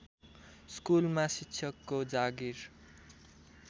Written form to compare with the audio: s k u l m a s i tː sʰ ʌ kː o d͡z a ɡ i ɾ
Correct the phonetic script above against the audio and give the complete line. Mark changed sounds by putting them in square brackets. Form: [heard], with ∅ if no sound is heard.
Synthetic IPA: s k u l m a s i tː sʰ ʌ kː o d͡z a ɡ i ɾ